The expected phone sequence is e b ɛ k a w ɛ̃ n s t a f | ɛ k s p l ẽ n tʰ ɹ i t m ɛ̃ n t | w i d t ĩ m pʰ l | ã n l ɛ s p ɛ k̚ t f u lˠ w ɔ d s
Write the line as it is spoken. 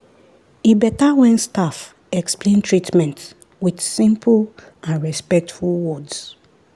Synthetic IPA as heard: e b ɛ t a w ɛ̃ n s t a f | ɛ k s p l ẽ n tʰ ɹ i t m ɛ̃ n t | w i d s ĩ m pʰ l | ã n ɹ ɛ s p ɛ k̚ t f u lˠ w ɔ d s